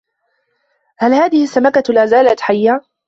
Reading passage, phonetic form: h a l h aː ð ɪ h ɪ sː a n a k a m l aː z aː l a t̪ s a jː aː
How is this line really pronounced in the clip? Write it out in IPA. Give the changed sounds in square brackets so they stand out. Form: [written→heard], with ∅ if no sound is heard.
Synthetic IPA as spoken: h a l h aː ð ɪ h ɪ sː a [n→m] a k a [m→∅] l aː z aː l a t̪ [s→ħ] a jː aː